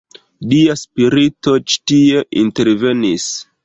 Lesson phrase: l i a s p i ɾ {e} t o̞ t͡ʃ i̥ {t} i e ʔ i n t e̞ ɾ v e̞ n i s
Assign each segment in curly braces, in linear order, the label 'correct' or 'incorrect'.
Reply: incorrect, correct

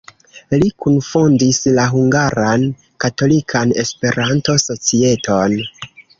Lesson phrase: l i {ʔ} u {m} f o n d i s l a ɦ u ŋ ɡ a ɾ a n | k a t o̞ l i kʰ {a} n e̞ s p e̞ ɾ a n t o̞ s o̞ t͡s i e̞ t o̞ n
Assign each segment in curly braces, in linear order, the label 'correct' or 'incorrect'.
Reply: incorrect, incorrect, correct

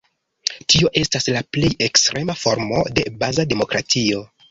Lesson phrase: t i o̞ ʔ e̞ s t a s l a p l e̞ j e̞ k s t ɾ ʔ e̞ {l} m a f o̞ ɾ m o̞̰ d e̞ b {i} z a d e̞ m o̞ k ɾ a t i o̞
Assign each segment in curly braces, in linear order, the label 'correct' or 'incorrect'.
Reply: incorrect, incorrect

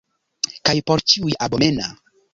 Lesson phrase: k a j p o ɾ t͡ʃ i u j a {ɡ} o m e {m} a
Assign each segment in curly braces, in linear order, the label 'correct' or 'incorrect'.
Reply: incorrect, incorrect

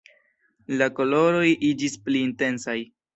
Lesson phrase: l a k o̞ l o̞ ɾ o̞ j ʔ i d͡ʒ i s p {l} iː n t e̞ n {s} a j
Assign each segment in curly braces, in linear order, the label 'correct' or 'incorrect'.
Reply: correct, correct

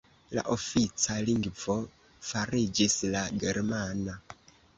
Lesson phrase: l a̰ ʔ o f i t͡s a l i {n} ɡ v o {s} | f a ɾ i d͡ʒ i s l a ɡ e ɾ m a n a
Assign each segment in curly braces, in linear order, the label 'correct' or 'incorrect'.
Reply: incorrect, incorrect

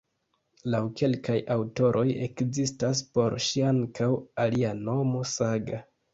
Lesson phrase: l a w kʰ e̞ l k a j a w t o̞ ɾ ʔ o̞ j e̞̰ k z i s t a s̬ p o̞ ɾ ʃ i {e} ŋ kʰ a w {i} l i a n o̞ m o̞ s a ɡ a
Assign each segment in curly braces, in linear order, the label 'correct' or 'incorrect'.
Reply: incorrect, incorrect

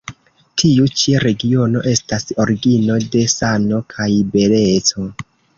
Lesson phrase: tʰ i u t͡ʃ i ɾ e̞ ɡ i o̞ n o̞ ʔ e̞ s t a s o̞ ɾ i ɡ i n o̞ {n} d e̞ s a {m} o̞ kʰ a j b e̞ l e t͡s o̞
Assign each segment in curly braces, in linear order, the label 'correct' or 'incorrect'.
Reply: incorrect, incorrect

